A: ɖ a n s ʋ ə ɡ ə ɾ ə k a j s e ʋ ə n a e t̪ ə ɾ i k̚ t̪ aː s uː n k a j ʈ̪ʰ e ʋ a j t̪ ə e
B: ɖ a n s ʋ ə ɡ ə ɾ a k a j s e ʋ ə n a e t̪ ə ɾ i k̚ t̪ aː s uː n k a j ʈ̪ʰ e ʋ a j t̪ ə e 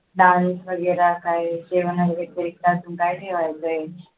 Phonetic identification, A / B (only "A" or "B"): B